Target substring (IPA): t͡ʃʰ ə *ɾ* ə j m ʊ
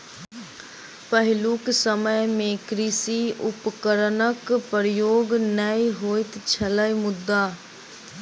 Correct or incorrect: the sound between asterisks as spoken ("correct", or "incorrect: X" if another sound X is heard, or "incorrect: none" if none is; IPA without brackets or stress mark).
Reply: incorrect: l